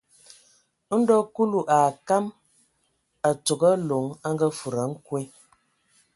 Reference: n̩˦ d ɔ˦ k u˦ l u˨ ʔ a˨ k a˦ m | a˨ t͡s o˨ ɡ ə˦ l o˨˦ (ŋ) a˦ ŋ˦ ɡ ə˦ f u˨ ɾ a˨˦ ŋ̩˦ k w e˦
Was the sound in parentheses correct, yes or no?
yes